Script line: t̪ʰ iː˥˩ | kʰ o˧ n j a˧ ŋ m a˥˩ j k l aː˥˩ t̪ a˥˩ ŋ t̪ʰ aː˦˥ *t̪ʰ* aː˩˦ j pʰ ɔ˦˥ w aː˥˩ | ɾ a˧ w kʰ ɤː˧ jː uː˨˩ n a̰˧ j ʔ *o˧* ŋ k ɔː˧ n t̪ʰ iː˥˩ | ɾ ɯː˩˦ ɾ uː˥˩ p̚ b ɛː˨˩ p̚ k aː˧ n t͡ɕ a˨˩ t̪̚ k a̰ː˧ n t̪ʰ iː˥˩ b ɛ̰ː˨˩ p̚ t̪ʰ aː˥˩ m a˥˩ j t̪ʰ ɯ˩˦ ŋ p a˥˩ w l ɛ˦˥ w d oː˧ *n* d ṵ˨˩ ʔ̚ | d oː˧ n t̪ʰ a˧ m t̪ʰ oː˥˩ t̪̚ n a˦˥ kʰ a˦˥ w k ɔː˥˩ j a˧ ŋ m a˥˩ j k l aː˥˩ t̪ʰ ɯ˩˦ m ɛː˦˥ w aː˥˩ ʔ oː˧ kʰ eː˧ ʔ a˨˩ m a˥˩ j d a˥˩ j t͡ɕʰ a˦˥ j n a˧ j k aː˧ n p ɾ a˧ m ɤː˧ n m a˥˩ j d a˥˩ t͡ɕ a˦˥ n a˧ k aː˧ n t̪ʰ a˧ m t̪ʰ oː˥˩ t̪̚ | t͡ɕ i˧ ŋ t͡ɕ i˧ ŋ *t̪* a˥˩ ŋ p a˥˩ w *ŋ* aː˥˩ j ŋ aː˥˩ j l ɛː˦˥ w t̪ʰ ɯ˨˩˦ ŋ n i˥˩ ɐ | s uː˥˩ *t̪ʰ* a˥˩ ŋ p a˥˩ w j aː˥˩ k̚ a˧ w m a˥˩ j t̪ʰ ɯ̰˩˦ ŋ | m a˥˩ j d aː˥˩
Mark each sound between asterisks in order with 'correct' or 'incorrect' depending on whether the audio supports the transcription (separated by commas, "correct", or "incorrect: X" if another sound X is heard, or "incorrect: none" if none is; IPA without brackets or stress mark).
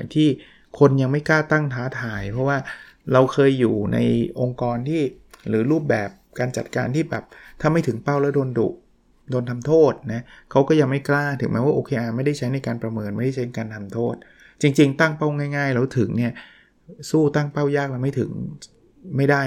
correct, correct, correct, correct, correct, incorrect: t̪